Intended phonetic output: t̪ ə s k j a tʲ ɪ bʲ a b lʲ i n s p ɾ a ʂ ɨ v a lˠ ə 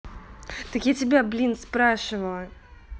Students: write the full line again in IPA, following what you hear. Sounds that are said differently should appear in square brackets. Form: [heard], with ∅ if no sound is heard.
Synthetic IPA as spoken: t̪ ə [∅] k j a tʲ ɪ bʲ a b lʲ i n s p ɾ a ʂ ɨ v [ə] lˠ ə